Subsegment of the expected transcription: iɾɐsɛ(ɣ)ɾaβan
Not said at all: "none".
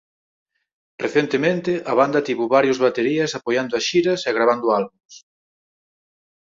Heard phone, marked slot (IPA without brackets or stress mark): ɣ